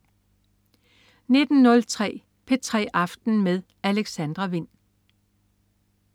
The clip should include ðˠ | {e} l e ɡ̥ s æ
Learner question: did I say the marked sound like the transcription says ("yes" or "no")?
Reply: no